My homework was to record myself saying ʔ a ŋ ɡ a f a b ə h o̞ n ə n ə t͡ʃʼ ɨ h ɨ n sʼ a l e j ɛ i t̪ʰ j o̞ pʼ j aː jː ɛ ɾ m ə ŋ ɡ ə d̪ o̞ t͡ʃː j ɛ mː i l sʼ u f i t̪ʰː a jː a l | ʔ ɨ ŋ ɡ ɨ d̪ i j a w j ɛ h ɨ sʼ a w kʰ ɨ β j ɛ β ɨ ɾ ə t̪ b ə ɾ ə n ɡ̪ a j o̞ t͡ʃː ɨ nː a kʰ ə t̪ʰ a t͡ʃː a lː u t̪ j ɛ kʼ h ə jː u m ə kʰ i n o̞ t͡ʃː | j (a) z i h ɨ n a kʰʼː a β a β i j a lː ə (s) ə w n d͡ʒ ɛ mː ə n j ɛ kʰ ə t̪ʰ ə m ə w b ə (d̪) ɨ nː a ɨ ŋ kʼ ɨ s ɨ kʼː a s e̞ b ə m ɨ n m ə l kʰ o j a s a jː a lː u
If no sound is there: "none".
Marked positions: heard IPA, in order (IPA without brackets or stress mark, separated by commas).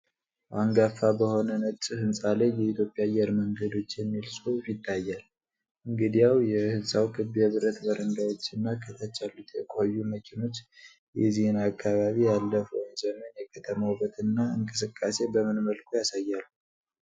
ɛ, f, t̪